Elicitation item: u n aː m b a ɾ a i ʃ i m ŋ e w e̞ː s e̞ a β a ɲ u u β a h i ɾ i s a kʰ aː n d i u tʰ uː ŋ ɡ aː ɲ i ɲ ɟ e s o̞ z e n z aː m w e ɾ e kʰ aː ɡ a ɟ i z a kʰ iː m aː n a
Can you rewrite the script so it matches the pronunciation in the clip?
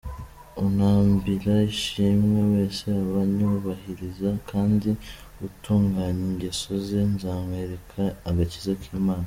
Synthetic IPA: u n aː m b i ɾ a i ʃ i m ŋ e w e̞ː s e̞ a β a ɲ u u β a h i ɾ i z a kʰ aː n d i u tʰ uː ŋ ɡ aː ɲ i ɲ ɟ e s o̞ z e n z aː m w e ɾ e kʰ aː ɡ a c i z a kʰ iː m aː n a